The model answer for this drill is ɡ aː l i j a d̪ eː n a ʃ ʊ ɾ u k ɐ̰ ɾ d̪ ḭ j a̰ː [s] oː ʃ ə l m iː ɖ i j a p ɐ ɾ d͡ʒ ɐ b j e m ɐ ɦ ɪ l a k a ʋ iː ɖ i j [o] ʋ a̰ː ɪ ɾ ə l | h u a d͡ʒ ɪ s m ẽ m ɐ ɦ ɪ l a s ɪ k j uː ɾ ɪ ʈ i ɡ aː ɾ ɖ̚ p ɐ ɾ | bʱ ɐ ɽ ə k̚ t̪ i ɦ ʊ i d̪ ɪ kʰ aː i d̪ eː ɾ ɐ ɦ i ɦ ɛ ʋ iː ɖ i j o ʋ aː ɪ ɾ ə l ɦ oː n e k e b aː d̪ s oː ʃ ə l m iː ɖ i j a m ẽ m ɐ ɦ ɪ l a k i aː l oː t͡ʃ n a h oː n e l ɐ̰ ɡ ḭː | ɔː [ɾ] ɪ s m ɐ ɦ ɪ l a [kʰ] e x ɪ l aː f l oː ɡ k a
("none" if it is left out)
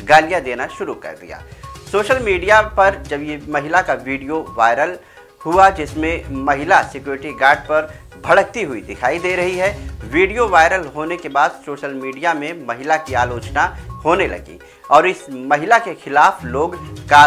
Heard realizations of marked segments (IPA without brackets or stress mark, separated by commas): s, o, ɾ, k